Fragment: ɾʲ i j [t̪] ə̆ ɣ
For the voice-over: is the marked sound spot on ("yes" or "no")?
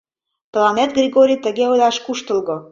yes